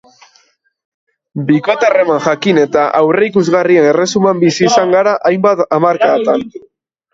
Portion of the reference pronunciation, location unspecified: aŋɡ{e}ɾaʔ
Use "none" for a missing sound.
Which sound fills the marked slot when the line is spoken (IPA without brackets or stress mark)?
a